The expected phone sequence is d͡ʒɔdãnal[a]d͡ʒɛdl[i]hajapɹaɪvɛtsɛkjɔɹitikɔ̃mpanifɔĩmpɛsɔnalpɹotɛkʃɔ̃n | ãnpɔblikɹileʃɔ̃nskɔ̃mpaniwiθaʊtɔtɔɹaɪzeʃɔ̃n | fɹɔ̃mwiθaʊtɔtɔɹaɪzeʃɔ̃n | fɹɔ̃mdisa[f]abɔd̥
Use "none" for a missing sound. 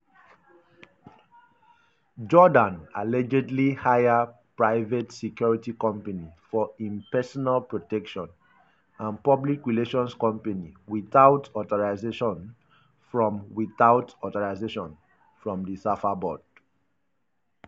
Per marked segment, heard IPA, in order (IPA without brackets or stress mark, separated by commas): ɛ, i, f